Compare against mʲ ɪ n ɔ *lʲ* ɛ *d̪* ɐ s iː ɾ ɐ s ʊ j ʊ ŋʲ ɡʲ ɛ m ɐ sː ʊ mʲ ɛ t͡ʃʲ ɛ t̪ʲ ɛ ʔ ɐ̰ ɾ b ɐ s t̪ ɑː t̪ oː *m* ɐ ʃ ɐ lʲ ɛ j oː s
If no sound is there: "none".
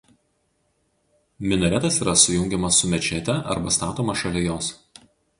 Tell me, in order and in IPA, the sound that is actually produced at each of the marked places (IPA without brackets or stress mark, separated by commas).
ɾʲ, t̪, m